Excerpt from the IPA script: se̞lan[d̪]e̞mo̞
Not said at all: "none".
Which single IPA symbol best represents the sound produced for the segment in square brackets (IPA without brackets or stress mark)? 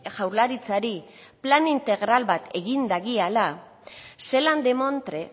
d̪